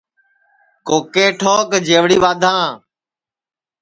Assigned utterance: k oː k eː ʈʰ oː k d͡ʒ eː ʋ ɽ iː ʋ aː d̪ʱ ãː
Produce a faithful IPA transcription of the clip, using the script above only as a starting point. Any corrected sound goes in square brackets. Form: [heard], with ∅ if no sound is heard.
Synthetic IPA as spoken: k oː k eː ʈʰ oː k d͡ʒ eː ʋ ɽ iː ʋ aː d̪ʱ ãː